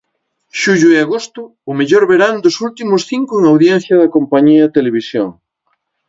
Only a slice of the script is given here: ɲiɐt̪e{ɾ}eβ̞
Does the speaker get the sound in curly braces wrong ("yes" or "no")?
yes